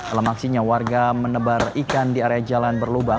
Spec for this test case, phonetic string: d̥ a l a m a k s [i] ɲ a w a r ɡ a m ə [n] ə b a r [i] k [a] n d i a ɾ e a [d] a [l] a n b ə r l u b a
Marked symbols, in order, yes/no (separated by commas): yes, yes, yes, yes, no, yes